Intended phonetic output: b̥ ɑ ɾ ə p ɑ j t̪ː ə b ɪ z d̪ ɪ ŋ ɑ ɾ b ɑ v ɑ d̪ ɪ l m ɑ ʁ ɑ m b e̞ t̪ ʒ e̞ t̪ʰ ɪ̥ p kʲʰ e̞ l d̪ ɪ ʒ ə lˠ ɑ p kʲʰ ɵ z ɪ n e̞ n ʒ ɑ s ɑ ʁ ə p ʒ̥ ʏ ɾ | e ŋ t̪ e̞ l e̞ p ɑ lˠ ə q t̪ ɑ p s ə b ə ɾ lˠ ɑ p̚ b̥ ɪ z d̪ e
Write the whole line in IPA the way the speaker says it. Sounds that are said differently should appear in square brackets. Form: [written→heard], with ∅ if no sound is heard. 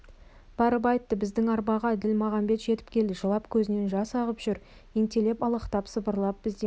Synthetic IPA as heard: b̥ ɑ ɾ ə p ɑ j t̪ː ə b ɪ z d̪ ɪ ŋ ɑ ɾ b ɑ [v→ʁ] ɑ d̪ ɪ l m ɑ ʁ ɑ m b e̞ t̪ ʒ e̞ [t̪ʰ→t̪] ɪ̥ p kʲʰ e̞ l d̪ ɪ ʒ ə lˠ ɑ p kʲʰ ɵ z ɪ n e̞ n ʒ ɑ s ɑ ʁ ə p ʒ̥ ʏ ɾ | e ŋ t̪ e̞ l e̞ p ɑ lˠ ə q t̪ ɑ p s ə b ə ɾ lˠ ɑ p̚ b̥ ɪ z d̪ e